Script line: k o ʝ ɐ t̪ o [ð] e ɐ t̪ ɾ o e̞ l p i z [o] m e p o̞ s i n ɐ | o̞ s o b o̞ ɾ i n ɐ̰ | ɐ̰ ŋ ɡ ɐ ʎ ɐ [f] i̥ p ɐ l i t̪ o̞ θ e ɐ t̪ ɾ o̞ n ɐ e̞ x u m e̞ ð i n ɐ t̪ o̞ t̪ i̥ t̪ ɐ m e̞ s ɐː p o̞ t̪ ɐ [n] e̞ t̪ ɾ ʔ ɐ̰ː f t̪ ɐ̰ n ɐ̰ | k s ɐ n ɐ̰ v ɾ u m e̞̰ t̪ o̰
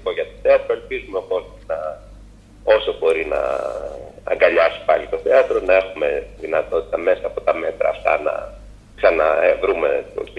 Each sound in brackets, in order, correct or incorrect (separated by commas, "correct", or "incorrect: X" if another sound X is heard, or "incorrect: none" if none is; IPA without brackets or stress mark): incorrect: θ, incorrect: u, incorrect: s, incorrect: m